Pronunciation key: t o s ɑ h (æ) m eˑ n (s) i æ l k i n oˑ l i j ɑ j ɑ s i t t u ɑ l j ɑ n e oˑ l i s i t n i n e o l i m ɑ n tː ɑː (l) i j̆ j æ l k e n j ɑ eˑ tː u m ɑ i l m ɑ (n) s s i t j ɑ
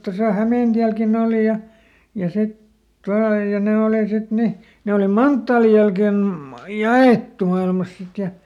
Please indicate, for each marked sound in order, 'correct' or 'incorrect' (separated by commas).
correct, incorrect, correct, incorrect